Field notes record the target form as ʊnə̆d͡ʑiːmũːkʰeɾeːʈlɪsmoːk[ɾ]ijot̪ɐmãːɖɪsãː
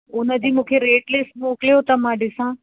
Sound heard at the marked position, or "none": l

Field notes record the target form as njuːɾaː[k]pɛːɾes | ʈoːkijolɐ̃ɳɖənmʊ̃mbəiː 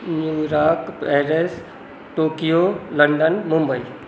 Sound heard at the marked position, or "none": k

